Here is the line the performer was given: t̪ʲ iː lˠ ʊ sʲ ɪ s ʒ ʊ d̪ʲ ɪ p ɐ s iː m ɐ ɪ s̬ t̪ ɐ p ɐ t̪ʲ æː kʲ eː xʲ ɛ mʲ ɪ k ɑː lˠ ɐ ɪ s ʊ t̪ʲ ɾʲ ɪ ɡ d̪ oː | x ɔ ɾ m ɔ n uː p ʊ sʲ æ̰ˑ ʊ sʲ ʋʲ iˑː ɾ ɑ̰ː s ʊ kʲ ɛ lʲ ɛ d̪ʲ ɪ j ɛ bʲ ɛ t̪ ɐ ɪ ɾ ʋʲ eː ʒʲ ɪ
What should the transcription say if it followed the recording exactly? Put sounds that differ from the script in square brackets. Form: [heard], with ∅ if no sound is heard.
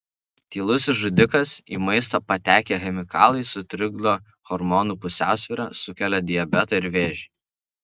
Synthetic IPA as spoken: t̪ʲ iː lˠ ʊ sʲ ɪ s ʒ ʊ d̪ʲ ɪ [k] ɐ s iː m ɐ ɪ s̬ t̪ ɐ p ɐ t̪ʲ æː kʲ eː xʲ ɛ mʲ ɪ k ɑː lˠ ɐ ɪ s ʊ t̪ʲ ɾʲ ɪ ɡ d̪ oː | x ɔ ɾ m ɔ n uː p ʊ sʲ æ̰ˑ ʊ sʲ ʋʲ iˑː ɾ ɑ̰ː s ʊ kʲ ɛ lʲ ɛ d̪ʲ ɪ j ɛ bʲ ɛ t̪ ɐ ɪ ɾ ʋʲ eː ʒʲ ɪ